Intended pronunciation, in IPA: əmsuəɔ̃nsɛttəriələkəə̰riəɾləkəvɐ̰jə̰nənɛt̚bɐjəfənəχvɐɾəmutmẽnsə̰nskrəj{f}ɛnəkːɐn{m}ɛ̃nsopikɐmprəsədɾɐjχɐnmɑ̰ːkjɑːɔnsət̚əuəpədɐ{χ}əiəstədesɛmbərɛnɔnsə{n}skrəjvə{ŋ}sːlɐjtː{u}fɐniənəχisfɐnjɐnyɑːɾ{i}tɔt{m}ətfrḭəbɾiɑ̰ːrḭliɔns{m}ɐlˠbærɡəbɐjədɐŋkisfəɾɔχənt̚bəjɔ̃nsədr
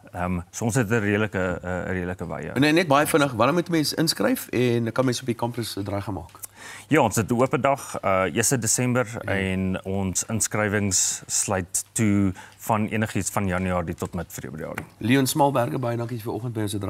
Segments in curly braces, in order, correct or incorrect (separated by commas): correct, correct, correct, correct, correct, correct, correct, correct, correct